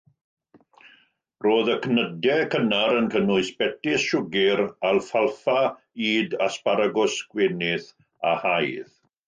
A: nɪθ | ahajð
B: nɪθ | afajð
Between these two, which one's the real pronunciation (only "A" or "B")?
A